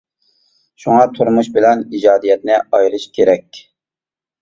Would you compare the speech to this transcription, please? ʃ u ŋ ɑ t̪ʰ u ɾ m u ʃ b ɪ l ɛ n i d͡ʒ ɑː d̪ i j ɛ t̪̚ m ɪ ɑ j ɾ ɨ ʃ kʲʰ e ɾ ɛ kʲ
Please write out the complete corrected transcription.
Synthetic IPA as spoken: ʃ u ŋ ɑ t̪ʰ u ɾ m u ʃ b ɪ l ɛ n i d͡ʒ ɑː d̪ i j ɛ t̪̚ n ɪ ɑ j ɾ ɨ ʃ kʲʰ e ɾ ɛ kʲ